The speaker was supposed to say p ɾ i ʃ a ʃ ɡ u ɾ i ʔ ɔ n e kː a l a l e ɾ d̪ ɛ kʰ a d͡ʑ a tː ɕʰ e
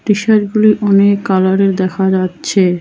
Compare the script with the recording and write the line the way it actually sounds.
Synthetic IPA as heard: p ɾ i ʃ a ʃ ɡ u l i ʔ ɔ n e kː a l a ɾ e ɾ d̪ ɛ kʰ a d͡ʑ a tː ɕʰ e